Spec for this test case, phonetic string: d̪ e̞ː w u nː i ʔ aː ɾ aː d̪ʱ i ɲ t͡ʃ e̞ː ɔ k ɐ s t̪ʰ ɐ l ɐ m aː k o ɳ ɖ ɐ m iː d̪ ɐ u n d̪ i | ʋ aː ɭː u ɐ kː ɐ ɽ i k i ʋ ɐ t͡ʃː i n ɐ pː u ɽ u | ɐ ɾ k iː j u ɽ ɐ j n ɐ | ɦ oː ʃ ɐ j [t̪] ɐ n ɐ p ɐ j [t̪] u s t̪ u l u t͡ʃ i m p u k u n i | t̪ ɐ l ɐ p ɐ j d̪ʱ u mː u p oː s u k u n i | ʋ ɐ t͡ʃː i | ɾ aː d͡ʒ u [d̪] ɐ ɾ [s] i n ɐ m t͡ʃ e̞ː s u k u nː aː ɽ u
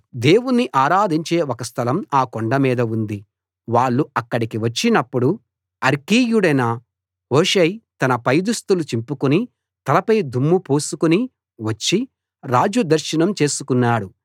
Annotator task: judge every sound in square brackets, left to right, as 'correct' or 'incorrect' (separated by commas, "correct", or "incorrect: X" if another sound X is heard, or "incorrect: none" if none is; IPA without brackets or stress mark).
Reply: correct, incorrect: d̪, correct, incorrect: ʃ